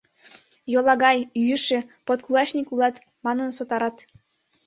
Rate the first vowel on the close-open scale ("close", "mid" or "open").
mid